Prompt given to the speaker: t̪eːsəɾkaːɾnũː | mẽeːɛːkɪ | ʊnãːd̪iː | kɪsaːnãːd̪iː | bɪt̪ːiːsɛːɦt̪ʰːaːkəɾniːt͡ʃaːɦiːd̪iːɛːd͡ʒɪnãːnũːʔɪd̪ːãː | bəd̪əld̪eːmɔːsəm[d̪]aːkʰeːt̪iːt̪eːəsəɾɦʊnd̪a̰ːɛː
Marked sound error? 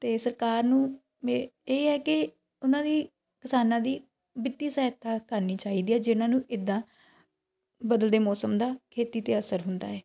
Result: no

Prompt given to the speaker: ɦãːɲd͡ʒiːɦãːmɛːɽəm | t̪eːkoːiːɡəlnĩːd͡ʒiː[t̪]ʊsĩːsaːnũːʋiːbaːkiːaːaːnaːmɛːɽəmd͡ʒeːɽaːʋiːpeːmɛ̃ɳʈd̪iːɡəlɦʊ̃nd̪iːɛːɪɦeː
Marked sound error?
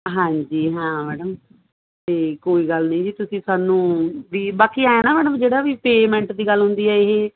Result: no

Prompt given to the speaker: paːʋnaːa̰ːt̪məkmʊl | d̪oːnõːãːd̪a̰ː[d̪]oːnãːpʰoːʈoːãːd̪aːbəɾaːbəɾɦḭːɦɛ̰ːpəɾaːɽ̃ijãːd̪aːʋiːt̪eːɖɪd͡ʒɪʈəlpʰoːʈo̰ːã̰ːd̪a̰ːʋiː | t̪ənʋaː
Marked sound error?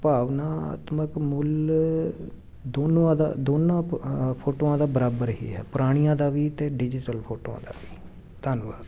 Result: no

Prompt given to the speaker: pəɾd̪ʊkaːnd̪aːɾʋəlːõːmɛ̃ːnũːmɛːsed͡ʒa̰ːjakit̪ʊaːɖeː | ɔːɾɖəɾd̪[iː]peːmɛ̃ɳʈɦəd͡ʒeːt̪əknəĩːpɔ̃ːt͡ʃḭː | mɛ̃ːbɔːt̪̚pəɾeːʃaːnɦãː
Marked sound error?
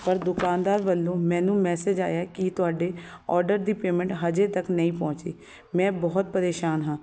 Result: no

